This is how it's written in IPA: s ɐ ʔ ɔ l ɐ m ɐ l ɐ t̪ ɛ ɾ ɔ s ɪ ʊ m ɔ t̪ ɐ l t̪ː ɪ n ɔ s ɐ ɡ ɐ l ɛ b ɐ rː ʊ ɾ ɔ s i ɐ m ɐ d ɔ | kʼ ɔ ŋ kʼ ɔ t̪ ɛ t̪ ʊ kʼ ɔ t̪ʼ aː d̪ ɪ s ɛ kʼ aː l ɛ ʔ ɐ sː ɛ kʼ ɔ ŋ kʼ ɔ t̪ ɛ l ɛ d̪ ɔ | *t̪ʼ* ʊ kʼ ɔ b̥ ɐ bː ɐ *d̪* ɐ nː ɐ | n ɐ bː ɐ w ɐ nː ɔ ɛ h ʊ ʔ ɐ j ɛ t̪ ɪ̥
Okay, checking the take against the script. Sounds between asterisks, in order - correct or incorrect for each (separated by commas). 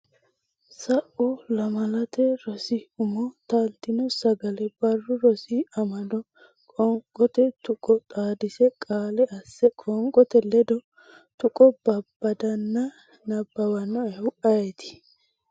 incorrect, correct